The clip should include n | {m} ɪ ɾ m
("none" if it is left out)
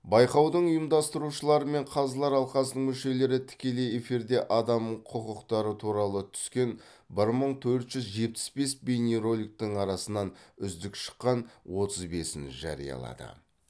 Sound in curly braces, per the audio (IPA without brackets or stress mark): b